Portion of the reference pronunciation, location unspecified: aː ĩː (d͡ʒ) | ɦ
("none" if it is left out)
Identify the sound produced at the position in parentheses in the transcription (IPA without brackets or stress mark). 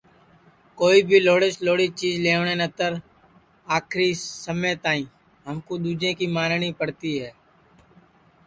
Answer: none